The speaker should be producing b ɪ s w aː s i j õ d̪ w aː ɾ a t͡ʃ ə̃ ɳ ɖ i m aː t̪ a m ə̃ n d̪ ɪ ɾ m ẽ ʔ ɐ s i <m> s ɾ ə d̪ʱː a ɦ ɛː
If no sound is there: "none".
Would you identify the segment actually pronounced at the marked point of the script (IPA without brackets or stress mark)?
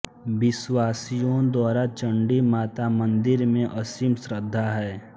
m